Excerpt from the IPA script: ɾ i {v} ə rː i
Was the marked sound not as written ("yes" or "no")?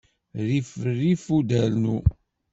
yes